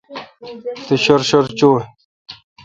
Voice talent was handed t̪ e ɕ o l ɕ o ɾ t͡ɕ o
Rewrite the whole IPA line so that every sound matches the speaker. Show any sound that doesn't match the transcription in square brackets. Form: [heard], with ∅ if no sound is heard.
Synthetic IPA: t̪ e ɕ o [ɾ] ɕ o ɾ t͡ɕ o